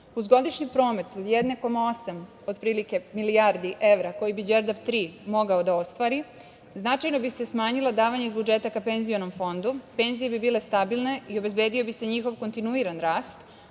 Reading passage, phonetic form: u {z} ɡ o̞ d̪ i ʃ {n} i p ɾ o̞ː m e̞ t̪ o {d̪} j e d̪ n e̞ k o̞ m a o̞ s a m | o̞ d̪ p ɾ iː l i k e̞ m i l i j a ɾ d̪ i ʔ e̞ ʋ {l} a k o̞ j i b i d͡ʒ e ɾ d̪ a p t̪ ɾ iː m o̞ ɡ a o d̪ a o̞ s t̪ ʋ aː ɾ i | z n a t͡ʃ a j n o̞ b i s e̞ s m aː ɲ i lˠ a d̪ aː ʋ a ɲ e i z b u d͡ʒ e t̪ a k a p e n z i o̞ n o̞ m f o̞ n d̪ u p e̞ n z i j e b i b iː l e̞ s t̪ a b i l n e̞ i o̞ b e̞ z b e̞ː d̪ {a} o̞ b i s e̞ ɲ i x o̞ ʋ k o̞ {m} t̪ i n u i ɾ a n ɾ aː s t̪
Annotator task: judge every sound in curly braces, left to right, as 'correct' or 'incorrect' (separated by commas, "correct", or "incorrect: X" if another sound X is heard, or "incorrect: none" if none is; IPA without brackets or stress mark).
correct, incorrect: ɲ, correct, incorrect: ɾ, incorrect: i, incorrect: n